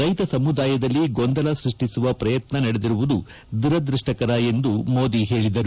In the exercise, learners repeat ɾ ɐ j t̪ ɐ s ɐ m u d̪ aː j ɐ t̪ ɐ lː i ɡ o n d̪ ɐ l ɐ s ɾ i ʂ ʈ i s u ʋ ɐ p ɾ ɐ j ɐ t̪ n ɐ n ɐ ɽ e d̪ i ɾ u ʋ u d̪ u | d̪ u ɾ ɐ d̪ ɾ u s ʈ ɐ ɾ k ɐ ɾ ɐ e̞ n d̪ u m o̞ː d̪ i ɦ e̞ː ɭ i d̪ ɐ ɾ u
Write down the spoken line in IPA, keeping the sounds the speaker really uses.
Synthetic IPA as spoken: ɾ ɐ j t̪ ɐ s ɐ m u d̪ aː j ɐ d̪ ɐ lː i ɡ o n d̪ ɐ l ɐ s ɾ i ʂ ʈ i s u ʋ ɐ p ɾ ɐ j ɐ t̪ n ɐ n ɐ ɽ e d̪ i ɾ u ʋ u d̪ u | d̪ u ɾ ɐ d̪ ɾ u ʂ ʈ ɐ k ɐ ɾ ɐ e̞ n d̪ u m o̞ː d̪ i ɦ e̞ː ɭ i d̪ ɐ ɾ u